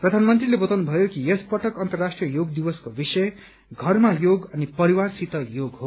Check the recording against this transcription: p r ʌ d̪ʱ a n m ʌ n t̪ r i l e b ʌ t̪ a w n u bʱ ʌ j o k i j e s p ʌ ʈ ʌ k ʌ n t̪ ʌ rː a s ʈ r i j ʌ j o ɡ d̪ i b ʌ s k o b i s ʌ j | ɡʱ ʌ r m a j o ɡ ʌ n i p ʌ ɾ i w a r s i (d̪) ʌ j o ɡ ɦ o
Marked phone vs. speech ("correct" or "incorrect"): incorrect